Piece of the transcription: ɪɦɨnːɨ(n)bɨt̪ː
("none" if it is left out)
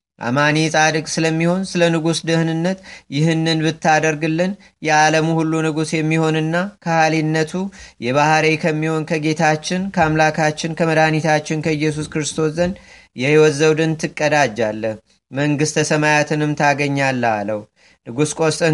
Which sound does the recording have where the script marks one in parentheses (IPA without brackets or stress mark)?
n